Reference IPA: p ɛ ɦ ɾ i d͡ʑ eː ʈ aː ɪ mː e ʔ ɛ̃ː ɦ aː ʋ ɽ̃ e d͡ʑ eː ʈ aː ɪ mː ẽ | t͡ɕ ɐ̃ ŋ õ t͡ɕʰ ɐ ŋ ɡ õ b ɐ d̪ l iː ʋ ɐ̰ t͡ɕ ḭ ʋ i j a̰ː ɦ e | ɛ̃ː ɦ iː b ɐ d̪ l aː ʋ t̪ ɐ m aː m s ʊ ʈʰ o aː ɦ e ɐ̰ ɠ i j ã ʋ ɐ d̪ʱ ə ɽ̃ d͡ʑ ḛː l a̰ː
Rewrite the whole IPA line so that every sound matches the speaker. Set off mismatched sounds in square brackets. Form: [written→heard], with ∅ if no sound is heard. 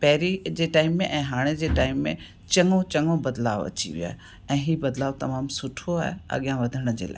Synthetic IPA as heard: p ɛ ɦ ɾ i d͡ʑ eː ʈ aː ɪ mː [e→ẽ] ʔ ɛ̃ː ɦ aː [ʋ→∅] ɽ̃ e d͡ʑ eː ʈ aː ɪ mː ẽ | t͡ɕ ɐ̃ ŋ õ [t͡ɕʰ→t͡ɕ] ɐ ŋ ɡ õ b ɐ d̪ l [iː→aː] ʋ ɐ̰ t͡ɕ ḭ ʋ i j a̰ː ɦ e | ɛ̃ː ɦ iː b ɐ d̪ l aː ʋ t̪ ɐ m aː m s ʊ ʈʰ o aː ɦ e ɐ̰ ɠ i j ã ʋ ɐ d̪ʱ ə ɽ̃ d͡ʑ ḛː l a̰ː